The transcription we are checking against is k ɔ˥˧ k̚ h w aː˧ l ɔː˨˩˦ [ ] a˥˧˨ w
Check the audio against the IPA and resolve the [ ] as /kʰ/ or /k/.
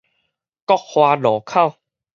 kʰ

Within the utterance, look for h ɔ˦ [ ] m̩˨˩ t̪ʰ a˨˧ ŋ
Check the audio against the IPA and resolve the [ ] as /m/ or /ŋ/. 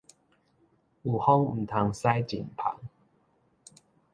ŋ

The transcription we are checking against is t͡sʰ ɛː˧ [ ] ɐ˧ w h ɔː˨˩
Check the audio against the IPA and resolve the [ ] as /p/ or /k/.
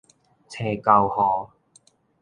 k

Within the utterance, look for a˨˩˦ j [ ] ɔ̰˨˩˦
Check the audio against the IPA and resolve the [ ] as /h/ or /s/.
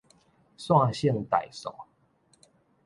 s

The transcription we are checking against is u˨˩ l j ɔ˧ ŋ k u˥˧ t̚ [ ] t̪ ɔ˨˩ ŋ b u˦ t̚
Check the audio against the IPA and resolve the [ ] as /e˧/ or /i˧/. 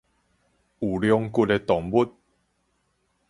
e˧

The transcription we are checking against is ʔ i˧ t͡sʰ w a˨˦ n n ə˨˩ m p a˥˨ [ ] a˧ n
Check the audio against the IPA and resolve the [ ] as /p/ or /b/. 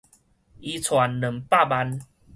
b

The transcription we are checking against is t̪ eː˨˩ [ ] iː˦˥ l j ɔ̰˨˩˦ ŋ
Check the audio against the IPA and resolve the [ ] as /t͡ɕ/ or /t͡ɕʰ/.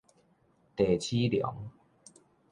t͡ɕʰ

